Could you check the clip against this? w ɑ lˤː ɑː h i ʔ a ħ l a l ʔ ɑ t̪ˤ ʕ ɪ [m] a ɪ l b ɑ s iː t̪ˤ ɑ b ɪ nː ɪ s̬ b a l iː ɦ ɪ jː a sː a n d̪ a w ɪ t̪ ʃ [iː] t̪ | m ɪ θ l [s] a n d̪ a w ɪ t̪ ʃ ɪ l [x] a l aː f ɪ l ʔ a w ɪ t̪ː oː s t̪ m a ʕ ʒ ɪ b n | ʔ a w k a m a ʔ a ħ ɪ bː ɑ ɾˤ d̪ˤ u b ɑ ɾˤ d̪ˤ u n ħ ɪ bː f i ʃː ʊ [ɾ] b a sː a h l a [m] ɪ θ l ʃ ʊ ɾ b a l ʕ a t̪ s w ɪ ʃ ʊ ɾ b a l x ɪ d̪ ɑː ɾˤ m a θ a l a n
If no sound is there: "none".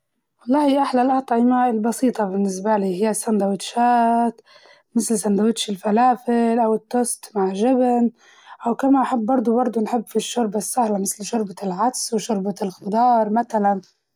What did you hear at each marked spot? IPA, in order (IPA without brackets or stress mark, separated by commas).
m, aː, s, f, ɾ, m